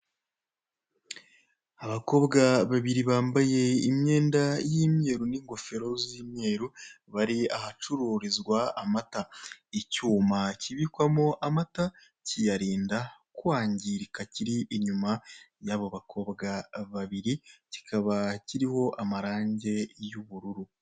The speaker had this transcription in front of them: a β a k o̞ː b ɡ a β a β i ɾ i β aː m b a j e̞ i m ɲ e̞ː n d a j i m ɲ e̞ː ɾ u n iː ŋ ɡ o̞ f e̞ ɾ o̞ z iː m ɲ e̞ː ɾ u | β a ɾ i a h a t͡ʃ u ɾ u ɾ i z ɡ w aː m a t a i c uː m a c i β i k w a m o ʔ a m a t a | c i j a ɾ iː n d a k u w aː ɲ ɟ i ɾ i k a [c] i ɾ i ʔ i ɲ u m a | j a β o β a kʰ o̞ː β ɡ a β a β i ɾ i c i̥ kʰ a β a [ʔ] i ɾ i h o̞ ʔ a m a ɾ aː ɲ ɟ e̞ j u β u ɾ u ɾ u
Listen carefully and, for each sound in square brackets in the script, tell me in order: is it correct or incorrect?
correct, incorrect: c

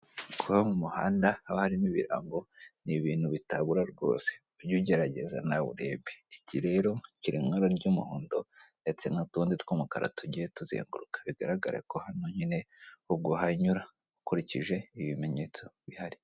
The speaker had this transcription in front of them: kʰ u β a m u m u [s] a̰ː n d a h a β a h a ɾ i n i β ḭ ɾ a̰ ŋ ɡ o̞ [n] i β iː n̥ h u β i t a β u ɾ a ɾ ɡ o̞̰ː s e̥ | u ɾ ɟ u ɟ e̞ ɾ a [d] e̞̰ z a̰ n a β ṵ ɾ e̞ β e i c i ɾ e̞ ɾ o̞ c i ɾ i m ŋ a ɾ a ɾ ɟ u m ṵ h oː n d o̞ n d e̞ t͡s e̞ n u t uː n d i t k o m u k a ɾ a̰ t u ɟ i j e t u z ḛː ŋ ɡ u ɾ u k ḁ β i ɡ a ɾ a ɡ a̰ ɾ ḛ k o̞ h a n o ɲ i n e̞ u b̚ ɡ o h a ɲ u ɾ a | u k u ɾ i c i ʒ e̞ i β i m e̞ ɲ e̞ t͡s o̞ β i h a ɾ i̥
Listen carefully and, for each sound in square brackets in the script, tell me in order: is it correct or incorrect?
incorrect: h, correct, incorrect: ɟ

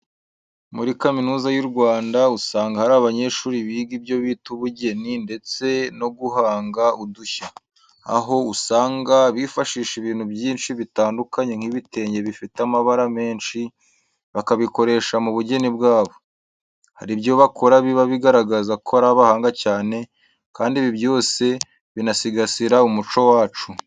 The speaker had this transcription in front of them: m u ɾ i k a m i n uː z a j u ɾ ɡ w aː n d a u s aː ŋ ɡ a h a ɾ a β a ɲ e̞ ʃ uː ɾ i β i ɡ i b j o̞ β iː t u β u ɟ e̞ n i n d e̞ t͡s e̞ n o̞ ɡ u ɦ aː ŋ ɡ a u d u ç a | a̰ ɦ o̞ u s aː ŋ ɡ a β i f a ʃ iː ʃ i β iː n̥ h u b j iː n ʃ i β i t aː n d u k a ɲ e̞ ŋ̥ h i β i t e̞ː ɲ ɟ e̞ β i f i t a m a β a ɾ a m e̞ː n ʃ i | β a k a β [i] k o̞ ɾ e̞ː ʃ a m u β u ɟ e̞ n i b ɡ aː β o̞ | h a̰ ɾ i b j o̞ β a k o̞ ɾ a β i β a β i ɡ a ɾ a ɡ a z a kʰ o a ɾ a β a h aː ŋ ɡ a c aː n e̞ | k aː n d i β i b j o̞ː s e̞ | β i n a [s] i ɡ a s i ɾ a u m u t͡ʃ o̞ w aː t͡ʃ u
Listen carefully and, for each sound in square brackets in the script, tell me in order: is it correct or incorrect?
correct, correct

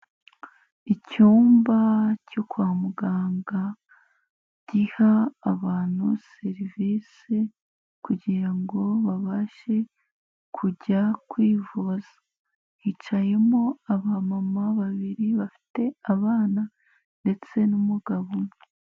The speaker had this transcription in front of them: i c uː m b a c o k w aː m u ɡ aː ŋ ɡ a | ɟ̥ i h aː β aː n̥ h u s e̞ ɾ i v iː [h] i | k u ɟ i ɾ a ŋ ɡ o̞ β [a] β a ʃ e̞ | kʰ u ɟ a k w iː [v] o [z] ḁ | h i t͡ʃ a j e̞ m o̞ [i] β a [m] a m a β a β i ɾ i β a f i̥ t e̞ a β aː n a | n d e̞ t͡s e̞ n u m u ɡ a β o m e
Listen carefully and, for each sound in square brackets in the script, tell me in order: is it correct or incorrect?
incorrect: s, correct, correct, correct, incorrect: a, correct

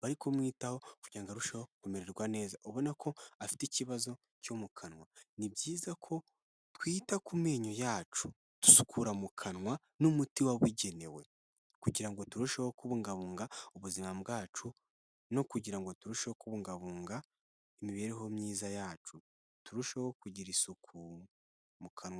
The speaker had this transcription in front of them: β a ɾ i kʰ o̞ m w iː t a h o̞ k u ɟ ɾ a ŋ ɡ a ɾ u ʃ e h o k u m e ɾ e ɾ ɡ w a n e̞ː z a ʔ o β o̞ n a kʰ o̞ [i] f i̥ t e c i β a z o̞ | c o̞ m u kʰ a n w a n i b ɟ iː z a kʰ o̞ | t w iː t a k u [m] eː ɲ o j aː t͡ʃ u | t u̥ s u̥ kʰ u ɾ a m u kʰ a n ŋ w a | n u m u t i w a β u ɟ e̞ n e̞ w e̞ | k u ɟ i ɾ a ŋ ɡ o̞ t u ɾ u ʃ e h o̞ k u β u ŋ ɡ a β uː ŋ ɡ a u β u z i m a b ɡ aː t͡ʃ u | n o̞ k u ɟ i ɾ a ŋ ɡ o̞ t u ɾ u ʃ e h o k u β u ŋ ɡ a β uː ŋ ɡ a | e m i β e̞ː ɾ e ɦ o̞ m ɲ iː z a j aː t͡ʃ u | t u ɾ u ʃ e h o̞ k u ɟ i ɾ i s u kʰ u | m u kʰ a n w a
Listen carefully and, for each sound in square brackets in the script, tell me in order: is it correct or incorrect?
incorrect: a, correct

